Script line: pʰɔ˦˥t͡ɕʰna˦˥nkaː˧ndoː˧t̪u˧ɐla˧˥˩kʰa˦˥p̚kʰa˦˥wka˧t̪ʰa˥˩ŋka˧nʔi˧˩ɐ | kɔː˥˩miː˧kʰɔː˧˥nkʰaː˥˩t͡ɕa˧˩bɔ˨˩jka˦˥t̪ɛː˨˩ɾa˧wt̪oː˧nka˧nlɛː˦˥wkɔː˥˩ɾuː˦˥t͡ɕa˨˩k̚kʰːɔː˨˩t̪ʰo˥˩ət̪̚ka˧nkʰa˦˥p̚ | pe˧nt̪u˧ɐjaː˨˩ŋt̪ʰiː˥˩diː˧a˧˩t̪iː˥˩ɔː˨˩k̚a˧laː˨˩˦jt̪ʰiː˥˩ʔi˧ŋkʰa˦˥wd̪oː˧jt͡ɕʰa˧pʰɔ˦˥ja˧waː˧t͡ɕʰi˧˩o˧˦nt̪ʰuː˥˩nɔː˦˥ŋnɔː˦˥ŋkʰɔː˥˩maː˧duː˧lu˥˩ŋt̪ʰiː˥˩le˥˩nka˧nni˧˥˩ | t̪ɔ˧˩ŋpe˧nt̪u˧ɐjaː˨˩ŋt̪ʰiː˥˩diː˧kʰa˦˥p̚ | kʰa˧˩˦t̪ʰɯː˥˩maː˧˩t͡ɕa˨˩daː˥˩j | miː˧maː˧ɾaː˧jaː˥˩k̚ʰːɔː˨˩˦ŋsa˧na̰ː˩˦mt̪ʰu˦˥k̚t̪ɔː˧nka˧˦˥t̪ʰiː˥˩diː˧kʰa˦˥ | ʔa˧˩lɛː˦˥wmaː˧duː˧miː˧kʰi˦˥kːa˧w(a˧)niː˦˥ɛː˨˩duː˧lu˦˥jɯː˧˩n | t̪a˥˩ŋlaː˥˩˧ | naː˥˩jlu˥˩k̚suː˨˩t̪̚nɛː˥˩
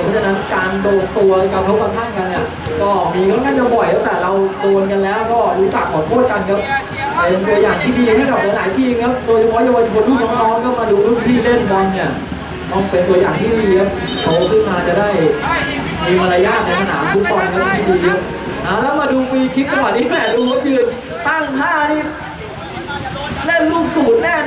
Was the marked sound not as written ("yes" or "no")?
yes